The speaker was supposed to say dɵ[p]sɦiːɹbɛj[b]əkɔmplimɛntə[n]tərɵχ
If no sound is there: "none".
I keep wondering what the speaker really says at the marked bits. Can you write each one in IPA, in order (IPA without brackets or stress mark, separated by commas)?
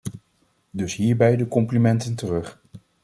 none, d, n